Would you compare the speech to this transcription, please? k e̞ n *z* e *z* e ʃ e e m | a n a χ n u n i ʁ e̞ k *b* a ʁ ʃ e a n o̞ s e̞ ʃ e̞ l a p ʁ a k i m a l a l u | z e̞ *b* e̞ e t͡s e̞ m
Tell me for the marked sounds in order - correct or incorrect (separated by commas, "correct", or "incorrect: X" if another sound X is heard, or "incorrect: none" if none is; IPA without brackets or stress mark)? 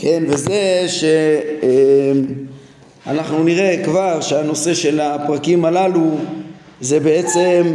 incorrect: v, correct, incorrect: v, correct